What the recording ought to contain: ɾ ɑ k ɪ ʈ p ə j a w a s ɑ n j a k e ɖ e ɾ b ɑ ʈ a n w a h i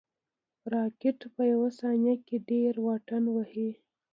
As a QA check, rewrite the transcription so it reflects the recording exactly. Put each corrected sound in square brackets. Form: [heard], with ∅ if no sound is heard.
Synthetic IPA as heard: ɾ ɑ k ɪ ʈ p ə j a w a s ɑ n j a k e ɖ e ɾ [w] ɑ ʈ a n w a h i